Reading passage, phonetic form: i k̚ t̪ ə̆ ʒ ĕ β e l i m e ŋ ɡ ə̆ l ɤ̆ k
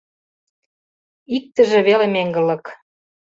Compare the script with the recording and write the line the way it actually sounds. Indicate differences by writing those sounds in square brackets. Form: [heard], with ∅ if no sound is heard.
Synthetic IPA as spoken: i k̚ t̪ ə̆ ʒ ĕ β e l [e] m e ŋ ɡ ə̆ l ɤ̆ k